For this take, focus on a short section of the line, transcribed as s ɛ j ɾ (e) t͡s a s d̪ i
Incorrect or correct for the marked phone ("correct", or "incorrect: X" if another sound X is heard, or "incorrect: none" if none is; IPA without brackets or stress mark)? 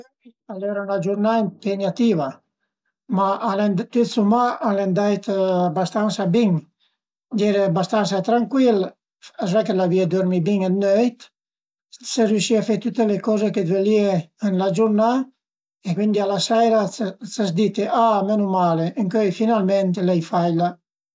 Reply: incorrect: a